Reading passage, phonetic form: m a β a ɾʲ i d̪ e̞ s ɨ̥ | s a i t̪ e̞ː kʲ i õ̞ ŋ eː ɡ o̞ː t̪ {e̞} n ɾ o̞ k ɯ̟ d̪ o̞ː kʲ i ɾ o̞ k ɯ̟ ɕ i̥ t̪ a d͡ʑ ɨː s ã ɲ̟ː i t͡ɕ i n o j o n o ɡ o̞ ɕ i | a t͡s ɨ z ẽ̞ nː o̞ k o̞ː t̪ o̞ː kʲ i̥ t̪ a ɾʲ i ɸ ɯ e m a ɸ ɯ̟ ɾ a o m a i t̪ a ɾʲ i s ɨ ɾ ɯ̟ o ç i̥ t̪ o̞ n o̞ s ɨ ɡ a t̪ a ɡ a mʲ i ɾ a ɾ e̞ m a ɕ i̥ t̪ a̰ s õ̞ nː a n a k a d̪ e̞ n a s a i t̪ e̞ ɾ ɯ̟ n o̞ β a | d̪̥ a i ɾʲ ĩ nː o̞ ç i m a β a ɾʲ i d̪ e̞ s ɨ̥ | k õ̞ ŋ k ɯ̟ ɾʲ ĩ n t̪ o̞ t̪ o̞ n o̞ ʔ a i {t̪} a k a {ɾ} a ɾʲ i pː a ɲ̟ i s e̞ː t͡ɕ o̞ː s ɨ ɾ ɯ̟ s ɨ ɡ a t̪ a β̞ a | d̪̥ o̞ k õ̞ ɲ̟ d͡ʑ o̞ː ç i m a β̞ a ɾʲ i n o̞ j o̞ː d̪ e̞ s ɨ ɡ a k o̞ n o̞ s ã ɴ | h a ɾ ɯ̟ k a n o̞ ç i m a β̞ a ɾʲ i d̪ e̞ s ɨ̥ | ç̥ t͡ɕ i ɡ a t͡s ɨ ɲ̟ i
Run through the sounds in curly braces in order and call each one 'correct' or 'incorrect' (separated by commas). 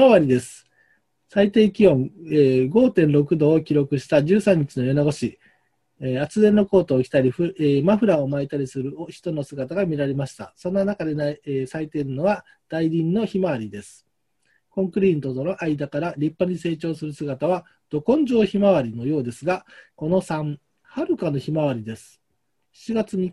incorrect, incorrect, correct